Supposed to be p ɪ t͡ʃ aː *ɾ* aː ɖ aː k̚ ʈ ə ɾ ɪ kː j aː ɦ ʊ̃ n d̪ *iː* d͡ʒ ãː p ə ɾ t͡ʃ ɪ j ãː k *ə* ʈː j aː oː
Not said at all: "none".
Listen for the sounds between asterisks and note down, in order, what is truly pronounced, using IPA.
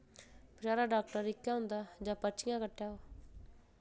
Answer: ɾ, aː, ə

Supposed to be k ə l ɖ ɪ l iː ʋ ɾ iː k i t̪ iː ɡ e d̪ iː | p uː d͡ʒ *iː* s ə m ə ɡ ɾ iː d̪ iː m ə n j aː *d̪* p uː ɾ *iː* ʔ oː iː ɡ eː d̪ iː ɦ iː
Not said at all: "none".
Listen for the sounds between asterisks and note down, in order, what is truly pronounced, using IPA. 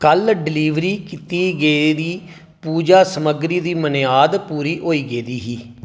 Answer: aː, d̪, iː

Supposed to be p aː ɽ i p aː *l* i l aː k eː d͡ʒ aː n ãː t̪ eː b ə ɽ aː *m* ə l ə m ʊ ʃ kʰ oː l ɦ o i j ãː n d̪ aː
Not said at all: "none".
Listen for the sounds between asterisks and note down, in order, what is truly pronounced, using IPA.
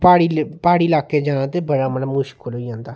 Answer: ɽ, m

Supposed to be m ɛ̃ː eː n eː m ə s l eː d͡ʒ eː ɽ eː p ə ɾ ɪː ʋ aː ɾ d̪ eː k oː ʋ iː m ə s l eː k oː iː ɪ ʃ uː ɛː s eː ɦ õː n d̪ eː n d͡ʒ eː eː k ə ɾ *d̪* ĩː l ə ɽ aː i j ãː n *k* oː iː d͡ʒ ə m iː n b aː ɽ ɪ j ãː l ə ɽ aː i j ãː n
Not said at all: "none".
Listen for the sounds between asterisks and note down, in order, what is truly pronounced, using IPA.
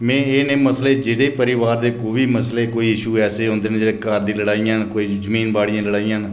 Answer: d̪, k

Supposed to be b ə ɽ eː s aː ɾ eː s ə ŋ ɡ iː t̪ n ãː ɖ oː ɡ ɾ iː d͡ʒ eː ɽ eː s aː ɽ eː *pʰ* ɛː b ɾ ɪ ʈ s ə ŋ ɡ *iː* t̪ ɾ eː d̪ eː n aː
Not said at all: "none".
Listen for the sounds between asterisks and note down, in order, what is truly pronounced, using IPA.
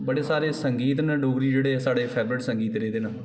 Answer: pʰ, iː

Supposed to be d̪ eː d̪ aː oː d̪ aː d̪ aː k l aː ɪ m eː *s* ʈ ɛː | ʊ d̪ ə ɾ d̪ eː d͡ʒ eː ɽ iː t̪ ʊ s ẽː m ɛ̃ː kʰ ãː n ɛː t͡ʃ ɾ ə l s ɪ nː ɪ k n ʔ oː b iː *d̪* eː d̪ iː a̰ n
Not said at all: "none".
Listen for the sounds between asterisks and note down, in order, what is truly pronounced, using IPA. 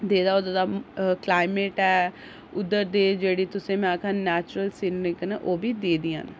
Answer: none, d̪

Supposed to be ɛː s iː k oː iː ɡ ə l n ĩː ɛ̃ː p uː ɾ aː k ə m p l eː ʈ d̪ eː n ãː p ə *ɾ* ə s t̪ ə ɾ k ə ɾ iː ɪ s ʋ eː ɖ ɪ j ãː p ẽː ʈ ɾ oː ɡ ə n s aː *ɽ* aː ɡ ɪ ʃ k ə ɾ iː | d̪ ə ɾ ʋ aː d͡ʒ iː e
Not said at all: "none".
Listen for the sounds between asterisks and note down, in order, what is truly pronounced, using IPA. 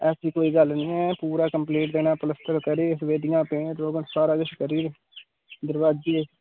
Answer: l, ɾ

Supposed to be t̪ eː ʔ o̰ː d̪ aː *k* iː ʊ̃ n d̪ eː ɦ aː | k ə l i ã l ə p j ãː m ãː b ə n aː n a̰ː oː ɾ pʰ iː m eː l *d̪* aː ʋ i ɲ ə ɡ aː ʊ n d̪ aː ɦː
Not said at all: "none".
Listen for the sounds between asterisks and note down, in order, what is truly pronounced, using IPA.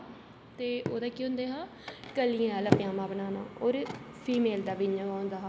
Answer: k, d̪

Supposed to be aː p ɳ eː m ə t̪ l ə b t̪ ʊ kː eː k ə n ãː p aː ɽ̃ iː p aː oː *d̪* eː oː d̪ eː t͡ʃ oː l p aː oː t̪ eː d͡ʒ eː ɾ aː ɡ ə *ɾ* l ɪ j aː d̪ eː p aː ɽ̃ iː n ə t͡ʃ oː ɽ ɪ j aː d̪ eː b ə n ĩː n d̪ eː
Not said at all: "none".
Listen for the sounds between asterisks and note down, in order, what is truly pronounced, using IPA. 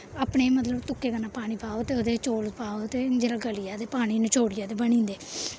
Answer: t̪, none

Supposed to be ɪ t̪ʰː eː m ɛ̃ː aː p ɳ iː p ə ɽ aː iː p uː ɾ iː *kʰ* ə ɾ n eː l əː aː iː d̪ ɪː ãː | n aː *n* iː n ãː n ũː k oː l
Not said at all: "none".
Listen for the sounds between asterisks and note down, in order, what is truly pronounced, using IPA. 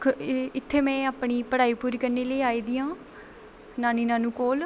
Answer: k, n

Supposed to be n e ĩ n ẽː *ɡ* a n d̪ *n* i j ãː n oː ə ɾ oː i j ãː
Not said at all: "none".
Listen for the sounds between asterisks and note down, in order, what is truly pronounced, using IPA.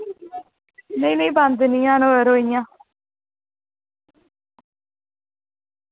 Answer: b, n

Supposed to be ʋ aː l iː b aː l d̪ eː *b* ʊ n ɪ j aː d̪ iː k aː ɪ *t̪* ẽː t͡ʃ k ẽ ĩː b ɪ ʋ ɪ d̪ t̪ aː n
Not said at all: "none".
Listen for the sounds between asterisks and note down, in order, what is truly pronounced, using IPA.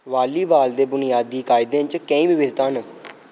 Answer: b, d̪

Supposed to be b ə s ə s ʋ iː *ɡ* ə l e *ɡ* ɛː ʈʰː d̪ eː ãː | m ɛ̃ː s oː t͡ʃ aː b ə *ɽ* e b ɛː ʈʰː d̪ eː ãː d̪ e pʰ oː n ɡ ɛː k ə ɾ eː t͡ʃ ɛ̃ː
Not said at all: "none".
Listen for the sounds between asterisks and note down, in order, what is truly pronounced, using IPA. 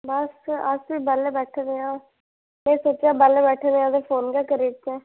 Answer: b, b, l

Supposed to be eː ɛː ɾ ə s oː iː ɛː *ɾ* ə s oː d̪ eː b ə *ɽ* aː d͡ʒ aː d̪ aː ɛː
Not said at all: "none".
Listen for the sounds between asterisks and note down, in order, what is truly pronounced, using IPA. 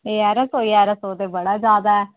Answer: ɾ, ɽ

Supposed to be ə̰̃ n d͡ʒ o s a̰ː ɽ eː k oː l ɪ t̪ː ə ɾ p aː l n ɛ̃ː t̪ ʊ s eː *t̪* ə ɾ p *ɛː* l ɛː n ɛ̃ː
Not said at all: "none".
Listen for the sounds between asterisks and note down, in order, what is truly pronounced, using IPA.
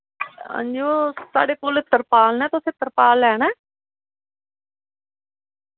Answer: t̪, aː

